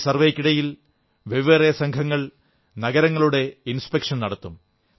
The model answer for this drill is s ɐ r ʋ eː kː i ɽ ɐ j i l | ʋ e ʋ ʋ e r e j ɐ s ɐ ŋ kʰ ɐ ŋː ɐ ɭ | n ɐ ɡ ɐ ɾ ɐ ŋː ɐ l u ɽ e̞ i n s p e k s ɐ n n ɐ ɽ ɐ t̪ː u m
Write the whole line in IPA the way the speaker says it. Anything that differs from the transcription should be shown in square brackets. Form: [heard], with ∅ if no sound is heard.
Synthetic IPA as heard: s ɐ r ʋ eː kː i ɽ ɐ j i l | ʋ e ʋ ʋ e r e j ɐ s ɐ ŋ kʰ ɐ ŋː ɐ ɭ | n ɐ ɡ ɐ ɾ ɐ ŋː ɐ [ɭ] u ɽ e̞ i n s p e k [ʂ] ɐ n n ɐ ɽ ɐ t̪ː u m

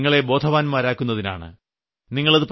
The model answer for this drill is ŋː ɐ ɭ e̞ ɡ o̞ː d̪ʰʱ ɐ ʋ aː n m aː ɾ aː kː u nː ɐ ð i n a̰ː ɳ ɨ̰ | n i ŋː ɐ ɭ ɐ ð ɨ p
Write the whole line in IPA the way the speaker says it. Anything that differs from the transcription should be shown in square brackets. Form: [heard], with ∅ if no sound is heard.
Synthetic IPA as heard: ŋː ɐ ɭ e̞ [b] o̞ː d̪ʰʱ ɐ ʋ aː n m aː ɾ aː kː u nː ɐ ð i n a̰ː ɳ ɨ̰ | n i ŋː ɐ ɭ ɐ ð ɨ p

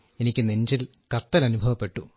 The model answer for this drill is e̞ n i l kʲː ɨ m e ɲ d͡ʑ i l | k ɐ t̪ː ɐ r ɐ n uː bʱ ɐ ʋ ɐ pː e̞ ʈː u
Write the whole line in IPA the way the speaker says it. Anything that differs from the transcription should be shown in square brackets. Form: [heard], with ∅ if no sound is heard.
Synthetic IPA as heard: e̞ n i [∅] kʲː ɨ [n] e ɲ d͡ʑ i l | k ɐ t̪ː ɐ [l] ɐ n [u] bʱ ɐ ʋ ɐ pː e̞ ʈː u

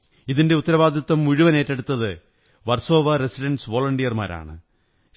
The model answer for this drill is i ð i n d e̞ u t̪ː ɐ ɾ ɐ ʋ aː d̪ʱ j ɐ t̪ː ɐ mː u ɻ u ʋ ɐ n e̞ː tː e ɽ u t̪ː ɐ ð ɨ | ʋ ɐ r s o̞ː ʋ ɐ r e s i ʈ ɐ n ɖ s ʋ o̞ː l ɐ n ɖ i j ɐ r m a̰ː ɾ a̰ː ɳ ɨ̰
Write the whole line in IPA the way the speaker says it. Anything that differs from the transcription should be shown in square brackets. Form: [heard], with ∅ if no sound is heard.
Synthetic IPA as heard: i ð i n d e̞ u t̪ː ɐ ɾ ɐ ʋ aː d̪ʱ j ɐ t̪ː ɐ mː u ɻ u ʋ ɐ n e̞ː tː e ɽ u t̪ː ɐ ð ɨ | ʋ ɐ r s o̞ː ʋ ɐ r e s i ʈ ɐ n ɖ s ʋ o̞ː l ɐ [ɳ] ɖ i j ɐ r m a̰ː ɾ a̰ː ɳ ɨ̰

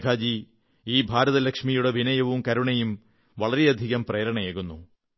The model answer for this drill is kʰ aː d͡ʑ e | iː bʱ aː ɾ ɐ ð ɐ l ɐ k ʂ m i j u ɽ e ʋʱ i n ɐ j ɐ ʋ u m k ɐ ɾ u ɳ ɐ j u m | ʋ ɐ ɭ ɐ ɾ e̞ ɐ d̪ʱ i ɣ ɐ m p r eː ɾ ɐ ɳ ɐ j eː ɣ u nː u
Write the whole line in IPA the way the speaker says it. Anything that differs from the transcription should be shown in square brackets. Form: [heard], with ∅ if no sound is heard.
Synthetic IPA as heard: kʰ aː d͡ʑ [i] | iː bʱ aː ɾ ɐ ð ɐ l ɐ k ʂ m i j u ɽ e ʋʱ i n ɐ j ɐ ʋ u m k ɐ ɾ u ɳ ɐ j u m | ʋ ɐ ɭ ɐ ɾ e̞ ɐ d̪ʱ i ɣ ɐ m p r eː ɾ ɐ ɳ ɐ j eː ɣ u nː u

